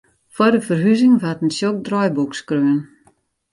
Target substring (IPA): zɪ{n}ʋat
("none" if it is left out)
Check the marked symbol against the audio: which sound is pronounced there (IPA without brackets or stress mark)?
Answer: ŋ